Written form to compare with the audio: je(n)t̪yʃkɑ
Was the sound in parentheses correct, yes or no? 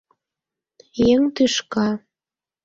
no